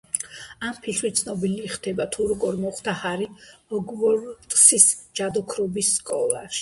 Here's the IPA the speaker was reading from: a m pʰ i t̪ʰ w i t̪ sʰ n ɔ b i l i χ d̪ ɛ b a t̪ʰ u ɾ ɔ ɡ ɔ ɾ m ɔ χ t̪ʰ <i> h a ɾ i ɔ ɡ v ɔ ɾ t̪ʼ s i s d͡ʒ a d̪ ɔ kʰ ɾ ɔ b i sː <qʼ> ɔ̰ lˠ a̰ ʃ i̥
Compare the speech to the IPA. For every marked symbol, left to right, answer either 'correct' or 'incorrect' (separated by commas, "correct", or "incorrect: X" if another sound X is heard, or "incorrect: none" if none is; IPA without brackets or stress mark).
incorrect: a, incorrect: kʼ